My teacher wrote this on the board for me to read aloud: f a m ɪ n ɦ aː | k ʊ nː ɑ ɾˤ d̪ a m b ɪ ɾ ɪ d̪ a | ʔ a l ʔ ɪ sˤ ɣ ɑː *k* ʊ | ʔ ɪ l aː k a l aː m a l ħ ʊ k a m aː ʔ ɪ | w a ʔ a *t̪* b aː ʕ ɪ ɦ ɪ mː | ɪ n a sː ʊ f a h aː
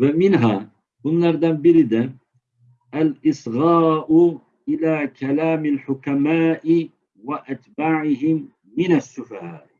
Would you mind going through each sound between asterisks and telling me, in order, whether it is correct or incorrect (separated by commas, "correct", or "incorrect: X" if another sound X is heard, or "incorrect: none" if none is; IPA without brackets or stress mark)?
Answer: incorrect: ʔ, correct